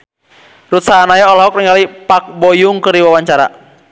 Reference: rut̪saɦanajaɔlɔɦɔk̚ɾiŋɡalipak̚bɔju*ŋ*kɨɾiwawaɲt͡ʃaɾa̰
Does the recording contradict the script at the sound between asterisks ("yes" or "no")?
no